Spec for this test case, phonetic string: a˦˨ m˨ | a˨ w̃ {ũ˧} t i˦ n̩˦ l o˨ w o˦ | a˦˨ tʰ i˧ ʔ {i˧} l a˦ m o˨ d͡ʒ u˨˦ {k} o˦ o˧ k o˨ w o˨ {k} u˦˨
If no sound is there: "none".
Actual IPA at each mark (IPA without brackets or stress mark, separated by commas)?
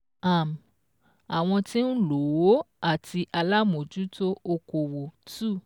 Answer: ɔ̃˧, a˧, t, t